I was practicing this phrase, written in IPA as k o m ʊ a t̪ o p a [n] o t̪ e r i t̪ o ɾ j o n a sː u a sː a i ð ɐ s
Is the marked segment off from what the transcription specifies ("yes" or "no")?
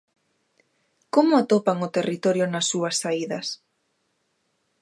yes